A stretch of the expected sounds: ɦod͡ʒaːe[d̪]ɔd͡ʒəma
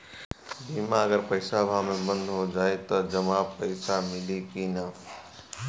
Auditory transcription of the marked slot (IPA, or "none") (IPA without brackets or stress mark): t̪